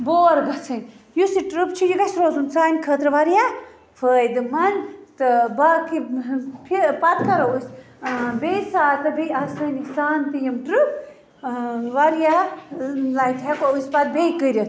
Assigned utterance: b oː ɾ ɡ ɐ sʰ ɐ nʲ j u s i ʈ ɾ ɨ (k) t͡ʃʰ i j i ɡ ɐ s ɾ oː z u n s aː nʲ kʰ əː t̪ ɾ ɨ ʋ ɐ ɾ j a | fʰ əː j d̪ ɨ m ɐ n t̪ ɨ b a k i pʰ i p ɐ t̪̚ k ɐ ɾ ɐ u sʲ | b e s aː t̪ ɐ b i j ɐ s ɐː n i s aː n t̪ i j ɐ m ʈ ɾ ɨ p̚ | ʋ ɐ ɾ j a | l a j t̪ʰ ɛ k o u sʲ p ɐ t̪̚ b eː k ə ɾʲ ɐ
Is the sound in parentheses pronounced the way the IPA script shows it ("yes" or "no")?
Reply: no